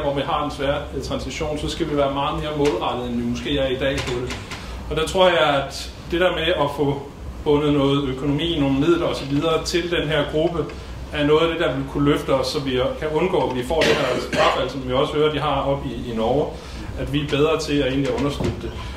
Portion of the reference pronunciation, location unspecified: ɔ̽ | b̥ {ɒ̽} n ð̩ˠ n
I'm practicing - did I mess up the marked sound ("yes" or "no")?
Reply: yes